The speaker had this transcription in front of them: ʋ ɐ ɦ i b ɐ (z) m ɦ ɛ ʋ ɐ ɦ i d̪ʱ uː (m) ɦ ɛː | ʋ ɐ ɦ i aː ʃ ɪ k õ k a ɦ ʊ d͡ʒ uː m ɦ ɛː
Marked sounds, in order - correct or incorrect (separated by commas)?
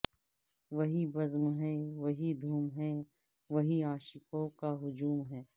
correct, correct